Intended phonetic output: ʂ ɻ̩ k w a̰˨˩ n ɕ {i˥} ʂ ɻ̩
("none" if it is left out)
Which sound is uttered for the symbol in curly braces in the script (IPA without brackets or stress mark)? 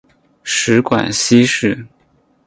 i˥